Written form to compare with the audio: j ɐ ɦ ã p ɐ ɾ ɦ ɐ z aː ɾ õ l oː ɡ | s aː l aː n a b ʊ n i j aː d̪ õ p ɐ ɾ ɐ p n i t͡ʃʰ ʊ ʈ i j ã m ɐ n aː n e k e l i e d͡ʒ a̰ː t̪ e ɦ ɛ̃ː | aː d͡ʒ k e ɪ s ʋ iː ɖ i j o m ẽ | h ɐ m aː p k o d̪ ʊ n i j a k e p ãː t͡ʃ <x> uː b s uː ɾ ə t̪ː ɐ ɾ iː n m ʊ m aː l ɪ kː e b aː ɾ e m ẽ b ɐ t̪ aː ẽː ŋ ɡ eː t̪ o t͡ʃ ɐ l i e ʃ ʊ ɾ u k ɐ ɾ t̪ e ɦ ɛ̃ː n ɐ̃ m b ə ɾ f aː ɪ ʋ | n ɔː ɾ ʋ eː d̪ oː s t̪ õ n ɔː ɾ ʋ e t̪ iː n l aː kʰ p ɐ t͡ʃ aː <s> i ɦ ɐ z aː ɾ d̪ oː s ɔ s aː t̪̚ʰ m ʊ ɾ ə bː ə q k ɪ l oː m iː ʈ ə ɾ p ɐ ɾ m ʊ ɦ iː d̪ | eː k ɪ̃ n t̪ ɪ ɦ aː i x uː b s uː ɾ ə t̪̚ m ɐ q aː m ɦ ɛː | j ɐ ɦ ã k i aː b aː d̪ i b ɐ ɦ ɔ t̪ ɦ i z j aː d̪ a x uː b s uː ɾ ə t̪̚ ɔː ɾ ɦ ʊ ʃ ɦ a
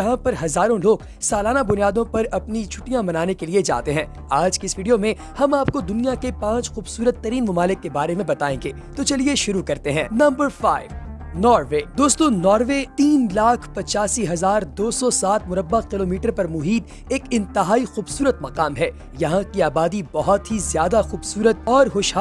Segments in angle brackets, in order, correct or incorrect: correct, correct

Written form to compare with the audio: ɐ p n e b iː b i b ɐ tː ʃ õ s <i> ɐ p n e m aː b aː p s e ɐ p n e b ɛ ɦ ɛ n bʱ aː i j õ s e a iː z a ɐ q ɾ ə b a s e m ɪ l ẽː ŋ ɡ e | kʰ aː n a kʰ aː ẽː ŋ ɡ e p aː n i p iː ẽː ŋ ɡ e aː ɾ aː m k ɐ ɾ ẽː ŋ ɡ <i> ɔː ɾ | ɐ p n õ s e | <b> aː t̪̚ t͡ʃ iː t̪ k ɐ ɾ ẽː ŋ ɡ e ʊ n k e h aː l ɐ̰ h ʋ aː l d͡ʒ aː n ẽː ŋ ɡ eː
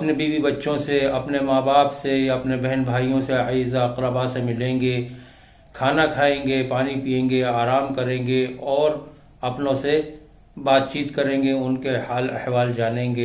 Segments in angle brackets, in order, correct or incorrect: incorrect, incorrect, correct

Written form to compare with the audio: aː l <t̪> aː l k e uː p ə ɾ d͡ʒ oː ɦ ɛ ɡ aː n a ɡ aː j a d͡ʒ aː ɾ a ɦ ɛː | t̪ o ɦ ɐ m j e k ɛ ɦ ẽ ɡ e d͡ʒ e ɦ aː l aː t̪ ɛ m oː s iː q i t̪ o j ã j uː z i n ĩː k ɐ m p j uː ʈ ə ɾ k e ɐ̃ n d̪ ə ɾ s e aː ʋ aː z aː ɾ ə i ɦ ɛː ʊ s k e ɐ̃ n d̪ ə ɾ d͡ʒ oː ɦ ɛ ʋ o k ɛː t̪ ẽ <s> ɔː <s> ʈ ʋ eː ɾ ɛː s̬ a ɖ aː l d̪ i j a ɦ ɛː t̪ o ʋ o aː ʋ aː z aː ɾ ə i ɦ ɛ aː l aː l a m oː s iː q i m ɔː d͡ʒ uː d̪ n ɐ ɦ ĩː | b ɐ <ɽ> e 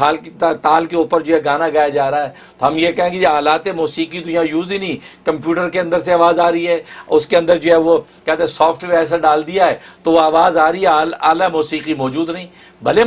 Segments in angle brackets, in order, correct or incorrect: correct, correct, incorrect, incorrect

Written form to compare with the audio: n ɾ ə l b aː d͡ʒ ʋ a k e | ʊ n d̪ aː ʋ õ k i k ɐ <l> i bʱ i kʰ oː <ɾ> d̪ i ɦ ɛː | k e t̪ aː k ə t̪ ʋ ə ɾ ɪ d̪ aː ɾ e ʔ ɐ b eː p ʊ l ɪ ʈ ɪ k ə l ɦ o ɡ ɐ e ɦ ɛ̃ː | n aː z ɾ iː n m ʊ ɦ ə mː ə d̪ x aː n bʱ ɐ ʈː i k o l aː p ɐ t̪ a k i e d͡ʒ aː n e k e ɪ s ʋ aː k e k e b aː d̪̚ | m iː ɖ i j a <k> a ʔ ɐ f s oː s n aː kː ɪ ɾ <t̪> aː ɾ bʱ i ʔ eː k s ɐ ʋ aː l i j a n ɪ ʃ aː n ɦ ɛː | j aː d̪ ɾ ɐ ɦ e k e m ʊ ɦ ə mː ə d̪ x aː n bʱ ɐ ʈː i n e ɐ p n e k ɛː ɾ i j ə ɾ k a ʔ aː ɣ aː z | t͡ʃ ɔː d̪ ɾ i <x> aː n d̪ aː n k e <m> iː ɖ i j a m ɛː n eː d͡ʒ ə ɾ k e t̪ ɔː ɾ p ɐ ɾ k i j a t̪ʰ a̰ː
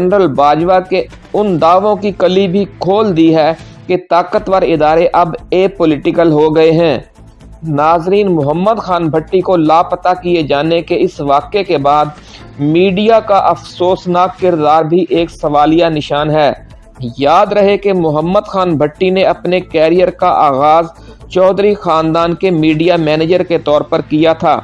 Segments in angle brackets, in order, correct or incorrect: correct, incorrect, correct, incorrect, correct, correct

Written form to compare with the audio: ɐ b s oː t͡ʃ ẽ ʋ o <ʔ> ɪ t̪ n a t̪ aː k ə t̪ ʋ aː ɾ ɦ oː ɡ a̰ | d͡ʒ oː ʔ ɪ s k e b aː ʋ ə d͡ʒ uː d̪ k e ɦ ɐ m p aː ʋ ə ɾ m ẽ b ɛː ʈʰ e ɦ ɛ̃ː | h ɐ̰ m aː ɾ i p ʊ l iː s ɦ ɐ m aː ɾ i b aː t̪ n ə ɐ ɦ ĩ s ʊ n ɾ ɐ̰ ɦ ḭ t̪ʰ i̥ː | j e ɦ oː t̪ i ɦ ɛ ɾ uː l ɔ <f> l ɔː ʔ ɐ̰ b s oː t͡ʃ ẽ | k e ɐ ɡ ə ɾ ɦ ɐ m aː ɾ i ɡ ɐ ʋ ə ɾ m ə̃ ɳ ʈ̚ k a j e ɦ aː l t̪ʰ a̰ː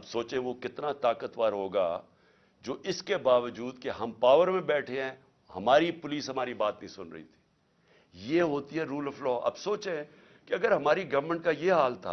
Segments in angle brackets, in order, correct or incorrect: incorrect, correct

